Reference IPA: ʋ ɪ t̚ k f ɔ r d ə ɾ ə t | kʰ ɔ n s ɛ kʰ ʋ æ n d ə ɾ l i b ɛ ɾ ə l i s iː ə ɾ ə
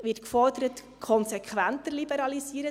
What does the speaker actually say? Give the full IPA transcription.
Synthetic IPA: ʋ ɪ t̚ k f ɔ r d ə ɾ ə t | kʰ ɔ n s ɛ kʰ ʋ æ n t ə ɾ l i b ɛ ɾ ɑ l i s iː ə ɾ ə